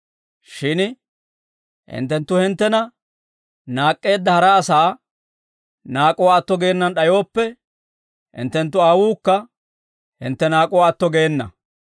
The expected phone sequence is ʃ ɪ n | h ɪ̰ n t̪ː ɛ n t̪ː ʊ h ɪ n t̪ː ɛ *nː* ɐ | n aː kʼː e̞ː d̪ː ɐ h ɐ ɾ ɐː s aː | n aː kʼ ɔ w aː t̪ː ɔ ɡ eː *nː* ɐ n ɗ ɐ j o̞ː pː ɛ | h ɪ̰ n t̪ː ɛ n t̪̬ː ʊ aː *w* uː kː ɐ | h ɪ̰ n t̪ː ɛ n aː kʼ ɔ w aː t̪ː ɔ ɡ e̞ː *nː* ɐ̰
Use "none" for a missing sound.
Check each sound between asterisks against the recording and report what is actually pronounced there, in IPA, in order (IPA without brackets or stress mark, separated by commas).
n, nː, w, nː